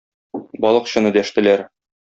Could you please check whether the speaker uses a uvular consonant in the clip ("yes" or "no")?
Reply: yes